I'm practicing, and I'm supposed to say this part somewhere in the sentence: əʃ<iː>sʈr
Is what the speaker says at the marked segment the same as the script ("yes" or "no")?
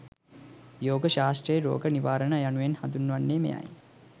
no